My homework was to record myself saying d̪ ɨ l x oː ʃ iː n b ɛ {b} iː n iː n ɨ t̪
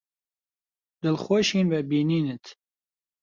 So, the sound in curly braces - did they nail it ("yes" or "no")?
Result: yes